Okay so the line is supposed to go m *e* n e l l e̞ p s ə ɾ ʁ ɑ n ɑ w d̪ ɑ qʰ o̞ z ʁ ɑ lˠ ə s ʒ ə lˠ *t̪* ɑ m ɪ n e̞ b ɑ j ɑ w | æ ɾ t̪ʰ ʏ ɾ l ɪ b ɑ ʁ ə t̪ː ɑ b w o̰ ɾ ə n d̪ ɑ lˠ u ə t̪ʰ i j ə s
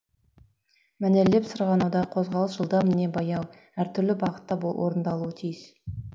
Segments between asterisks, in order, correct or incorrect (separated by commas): incorrect, incorrect